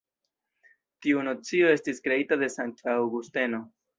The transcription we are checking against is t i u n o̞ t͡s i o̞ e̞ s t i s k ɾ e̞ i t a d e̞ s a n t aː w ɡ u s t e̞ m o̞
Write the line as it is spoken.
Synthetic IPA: t i u n o̞ t͡s i o̞ e̞ s t i s k ɾ e̞ i t a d e̞ s a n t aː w ɡ u s t e̞ n o̞